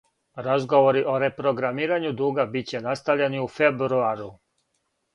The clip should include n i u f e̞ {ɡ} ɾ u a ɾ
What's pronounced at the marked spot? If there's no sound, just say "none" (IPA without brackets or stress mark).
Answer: b